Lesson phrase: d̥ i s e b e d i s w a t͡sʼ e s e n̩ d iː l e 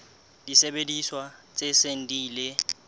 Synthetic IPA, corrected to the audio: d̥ i s e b e d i s w a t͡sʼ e s e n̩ d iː l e